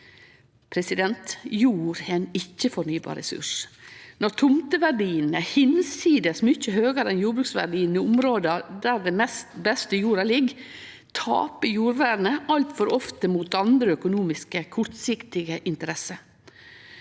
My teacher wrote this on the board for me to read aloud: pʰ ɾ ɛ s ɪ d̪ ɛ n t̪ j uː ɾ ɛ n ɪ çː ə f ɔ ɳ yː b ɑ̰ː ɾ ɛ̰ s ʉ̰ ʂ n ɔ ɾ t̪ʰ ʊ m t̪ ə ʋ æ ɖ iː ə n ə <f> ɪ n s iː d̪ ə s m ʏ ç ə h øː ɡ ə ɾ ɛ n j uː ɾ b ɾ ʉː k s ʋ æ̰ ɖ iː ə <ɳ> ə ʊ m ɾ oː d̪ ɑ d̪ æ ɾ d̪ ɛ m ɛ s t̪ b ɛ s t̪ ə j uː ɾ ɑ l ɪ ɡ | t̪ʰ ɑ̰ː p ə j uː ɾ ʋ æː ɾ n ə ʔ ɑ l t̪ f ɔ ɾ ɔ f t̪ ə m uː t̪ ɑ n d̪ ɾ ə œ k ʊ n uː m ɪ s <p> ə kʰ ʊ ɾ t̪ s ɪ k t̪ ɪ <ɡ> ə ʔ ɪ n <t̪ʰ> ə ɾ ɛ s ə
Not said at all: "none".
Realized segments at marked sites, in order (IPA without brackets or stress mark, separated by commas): h, n, k, ɡ, t̪